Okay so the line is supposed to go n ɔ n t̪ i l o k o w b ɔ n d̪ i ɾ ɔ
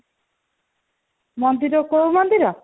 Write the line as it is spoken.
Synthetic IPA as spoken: m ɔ n d̪ i ɾ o k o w m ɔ n d̪ i ɾ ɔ